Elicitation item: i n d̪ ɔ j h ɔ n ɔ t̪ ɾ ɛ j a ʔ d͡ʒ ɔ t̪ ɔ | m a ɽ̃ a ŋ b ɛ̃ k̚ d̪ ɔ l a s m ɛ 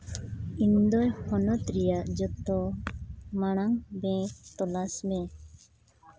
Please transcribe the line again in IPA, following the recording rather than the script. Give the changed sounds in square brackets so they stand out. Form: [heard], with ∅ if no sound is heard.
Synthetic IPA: i n d̪ ɔ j h ɔ n ɔ t̪ ɾ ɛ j a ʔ d͡ʒ ɔ t̪ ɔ | m a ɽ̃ a ŋ b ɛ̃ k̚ [t̪] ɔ l a s m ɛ